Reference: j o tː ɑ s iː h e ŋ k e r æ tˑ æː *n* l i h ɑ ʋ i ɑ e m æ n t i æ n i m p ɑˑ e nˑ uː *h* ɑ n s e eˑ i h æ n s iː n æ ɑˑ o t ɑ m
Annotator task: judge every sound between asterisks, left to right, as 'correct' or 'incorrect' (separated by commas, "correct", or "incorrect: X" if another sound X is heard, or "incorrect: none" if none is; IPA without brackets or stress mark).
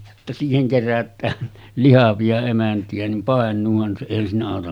correct, correct